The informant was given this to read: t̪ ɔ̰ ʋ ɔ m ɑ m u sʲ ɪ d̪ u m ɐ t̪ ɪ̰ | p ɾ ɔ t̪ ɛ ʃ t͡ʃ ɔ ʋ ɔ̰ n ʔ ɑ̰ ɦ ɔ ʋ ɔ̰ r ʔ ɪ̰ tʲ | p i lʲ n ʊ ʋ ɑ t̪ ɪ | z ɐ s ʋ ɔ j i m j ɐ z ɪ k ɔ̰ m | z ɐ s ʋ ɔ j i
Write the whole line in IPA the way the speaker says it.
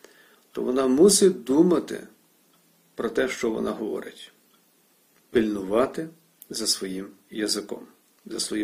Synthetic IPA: t̪ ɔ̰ ʋ ɔ n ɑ m u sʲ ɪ d̪ u m ɐ t̪ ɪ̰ | p ɾ ɔ t̪ ɛ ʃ t͡ʃ ɔ ʋ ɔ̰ n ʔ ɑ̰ ɦ ɔ ʋ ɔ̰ ɾ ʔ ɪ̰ tʲ | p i lʲ n ʊ ʋ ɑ t̪ ɪ | z ɐ s ʋ ɔ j i m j ɐ z ɪ k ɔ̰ m | z ɐ s ʋ ɔ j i